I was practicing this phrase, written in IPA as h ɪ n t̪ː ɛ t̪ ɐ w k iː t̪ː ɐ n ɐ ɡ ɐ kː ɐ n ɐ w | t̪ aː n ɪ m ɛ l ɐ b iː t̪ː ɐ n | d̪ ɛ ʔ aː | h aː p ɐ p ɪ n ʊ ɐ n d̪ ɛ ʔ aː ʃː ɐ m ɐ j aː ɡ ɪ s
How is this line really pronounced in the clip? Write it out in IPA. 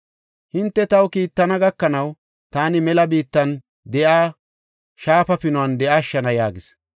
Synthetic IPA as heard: h ɪ n t̪ː ɛ t̪ ɐ w k iː t̪ː ɐ n ɐ ɡ ɐ kː ɐ n ɐ w | t̪ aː n ɪ m ɛ l ɐ b iː t̪ː ɐ n | d̪ ɛ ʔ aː | ʃ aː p ɐ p ɪ n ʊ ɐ n d̪ ɛ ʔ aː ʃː ɐ n ɐ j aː ɡ ɪ s

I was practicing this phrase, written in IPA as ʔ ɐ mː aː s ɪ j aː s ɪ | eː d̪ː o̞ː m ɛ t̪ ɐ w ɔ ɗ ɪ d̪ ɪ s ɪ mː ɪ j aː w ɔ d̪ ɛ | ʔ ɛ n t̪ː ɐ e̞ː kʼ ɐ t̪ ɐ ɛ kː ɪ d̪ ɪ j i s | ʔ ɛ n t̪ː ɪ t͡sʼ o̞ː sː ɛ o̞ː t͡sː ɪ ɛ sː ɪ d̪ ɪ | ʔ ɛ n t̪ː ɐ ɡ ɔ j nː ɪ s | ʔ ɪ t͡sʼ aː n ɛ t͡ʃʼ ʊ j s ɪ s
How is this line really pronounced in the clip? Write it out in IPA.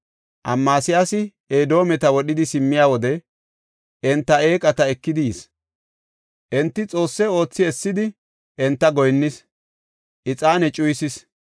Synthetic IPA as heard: ʔ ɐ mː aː s ɪ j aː s ɪ | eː d̪ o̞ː m ɛ t̪ ɐ w ɔ ɗ ɪ d̪ ɪ s ɪ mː ɪ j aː w ɔ d̪ ɛ | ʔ ɛ n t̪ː ɐ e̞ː kʼ ɐ t̪ ɐ ɛ kː ɪ d̪ ɪ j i s | ʔ ɛ n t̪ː ɪ t͡sʼ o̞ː sː ɛ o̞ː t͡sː ɪ ɛ sː ɪ d̪ ɪ | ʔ ɛ n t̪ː ɐ ɡ ɔ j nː ɪ s | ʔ ɪ t͡sʼ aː n ɛ t͡ʃʼ ʊ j s ɪ s

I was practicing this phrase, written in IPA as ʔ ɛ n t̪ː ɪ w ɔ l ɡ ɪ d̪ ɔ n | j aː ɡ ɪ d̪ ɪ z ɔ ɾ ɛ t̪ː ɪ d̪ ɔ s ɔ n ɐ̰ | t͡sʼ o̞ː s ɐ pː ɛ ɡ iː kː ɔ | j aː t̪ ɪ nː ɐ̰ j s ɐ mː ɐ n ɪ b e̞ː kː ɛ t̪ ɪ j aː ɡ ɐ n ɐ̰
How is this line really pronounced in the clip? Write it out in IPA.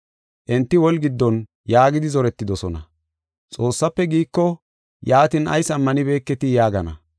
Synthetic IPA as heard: ʔ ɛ n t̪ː ɪ w ɔ l ɡ ɪ d̪ː ɔ n | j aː ɡ ɪ d̪ ɪ z ɔ ɾ ɛ t̪ː ɪ d̪ ɔ s ɔ n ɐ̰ | t͡sʼ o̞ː sː ɐ pː ɛ ɡ iː kː ɔ | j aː t̪ ɪ n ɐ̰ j s ɐ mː ɐ n ɪ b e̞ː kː ɛ t̪ ɪ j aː ɡ ɐ n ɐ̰

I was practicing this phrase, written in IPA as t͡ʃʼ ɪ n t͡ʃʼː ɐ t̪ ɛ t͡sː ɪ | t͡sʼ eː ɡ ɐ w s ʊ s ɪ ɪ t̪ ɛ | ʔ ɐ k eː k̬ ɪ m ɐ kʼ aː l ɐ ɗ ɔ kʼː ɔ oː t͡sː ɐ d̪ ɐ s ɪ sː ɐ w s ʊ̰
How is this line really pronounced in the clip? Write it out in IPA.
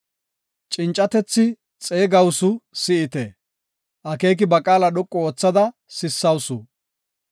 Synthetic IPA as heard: t͡ʃʼ ɪ n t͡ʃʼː ɐ t̪ ɛ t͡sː ɪ | t͡sʼ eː ɡ ɐ w s ʊ s ɪ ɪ t̪ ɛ | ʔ ɐ k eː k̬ ɪ b ɐ kʼ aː l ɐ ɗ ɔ kʼː ɔ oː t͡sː ɐ d̪ ɐ s ɪ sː ɐ w s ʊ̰

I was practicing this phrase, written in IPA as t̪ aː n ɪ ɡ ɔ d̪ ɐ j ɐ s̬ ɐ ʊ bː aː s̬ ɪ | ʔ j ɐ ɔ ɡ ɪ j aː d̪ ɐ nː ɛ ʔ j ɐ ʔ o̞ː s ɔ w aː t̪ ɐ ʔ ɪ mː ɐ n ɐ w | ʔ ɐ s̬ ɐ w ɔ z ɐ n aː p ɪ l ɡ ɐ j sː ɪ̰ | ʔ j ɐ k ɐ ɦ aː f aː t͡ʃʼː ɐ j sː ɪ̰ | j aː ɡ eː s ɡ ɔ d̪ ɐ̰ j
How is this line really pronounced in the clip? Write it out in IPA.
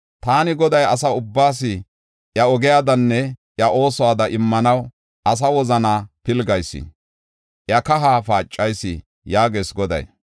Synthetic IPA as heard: t̪ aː n ɪ ɡ ɔ d̪ ɐ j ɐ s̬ ɐ ʊ bː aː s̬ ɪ | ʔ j ɐ ɔ ɡ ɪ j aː d̪ ɐ nː ɛ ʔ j ɐ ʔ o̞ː s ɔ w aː d̪ ɐ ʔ ɪ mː ɐ n ɐ w | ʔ ɐ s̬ ɐ w ɔ z ɐ n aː p ɪ l ɡ ɐ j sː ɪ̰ | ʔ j ɐ k ɐ ɦ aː f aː t͡ʃʼː ɐ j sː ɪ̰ | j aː ɡ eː s ɡ ɔ d̪ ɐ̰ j

